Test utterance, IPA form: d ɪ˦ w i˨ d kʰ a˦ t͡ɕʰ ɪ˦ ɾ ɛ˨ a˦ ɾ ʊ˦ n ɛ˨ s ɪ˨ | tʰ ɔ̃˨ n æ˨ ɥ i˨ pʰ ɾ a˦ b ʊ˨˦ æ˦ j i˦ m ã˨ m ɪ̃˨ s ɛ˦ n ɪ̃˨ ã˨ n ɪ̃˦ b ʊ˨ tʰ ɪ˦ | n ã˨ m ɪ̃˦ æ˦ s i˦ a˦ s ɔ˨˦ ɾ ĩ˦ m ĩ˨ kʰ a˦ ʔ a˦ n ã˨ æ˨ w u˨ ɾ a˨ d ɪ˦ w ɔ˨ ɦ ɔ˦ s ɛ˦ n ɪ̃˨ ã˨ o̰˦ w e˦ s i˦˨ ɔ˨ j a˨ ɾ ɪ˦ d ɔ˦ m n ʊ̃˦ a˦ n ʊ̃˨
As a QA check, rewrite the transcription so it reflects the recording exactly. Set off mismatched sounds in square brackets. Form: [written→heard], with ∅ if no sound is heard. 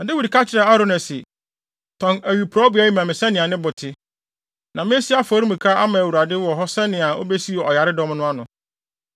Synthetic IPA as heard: d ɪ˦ w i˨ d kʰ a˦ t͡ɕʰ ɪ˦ ɾ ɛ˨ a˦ ɾ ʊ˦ n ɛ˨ s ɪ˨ | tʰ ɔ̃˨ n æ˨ ɥ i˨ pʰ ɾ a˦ b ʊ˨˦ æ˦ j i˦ m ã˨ m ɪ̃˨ s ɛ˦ n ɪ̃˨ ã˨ n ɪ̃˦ b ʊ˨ tʰ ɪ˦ | n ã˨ m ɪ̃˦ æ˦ s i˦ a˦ [s→f] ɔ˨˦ ɾ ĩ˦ m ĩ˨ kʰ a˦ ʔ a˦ [n→m] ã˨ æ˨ w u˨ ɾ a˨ d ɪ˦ w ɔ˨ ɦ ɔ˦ s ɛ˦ n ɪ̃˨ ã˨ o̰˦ [w→b] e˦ s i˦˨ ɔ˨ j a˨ ɾ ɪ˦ d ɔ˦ m n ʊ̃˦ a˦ n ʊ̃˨